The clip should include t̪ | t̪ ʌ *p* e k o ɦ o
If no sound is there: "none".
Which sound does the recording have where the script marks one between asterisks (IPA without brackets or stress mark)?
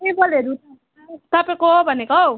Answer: p